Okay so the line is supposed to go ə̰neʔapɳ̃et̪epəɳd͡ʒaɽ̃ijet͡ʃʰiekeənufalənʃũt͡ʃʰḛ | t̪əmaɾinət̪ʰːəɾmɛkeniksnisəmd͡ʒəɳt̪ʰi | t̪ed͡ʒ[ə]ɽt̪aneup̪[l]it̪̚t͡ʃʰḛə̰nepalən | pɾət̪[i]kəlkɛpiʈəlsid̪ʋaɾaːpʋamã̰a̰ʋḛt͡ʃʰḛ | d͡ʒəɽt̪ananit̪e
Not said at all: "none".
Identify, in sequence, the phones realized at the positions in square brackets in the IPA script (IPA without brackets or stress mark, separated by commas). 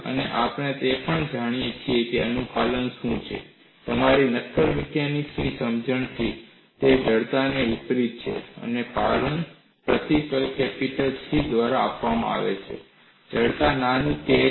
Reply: ə, ɾ, i